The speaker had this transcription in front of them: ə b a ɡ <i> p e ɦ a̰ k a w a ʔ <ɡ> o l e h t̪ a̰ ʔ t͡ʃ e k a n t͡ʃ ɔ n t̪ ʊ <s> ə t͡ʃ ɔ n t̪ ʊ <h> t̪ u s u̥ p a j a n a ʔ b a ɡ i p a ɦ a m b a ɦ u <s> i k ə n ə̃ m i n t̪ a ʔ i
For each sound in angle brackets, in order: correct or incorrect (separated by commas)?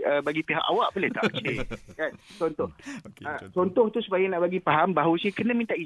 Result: correct, incorrect, incorrect, correct, correct